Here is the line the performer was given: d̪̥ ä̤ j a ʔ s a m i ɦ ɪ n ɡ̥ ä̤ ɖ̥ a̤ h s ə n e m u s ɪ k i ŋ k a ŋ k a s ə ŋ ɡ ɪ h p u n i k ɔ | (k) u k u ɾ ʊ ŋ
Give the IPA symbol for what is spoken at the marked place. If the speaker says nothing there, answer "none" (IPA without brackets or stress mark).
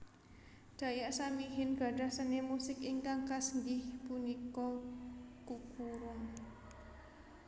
k